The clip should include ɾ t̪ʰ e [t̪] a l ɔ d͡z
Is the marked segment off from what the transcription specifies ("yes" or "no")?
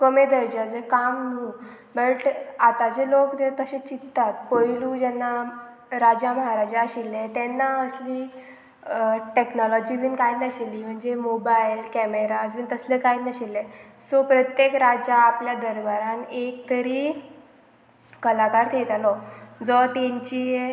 no